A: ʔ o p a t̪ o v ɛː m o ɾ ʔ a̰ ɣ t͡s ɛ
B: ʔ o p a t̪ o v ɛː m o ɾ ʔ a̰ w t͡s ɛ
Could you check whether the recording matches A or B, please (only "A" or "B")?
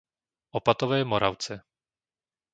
B